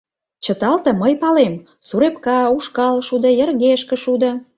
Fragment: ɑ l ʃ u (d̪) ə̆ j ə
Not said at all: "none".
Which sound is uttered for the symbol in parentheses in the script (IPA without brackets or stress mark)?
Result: d̪